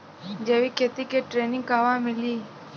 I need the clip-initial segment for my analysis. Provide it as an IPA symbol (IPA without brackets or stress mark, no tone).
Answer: d͡ʒ